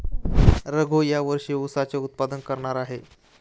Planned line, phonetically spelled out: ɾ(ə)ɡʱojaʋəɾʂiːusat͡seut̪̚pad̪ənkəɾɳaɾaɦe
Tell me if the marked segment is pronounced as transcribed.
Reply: yes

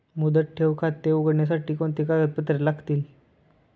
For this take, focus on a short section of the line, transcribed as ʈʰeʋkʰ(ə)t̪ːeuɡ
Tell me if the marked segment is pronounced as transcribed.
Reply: no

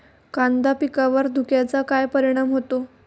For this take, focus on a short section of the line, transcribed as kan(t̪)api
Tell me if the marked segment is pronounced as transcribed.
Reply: no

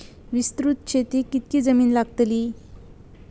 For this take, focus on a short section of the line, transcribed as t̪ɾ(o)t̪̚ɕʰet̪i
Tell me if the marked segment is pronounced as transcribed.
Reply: no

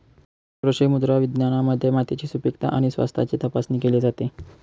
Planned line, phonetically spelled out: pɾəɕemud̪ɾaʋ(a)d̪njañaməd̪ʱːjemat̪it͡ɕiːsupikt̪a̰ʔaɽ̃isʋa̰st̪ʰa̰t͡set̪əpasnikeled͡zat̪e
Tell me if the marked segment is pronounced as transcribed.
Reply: no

